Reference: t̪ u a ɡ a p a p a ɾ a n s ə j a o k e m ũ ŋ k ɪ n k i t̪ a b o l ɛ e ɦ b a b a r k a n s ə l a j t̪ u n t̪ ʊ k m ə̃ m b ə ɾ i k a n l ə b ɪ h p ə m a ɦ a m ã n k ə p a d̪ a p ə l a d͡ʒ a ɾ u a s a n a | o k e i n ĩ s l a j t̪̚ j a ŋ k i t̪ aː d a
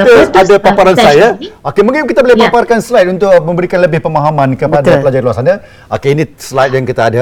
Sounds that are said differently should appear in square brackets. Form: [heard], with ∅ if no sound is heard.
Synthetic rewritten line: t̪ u a [d] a p a p a ɾ a n s [a] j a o k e m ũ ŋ k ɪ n k i t̪ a b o l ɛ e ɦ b a [p] a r k a n s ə l a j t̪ u n t̪ ʊ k m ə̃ m b ə ɾ i k a n l ə b ɪ h p ə m a ɦ a m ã n k ə p a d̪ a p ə l a d͡ʒ a [l] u a s a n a | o k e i n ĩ s l a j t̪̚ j a ŋ k i t̪ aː d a